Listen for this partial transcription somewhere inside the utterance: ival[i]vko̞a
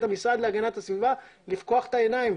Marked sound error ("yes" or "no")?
no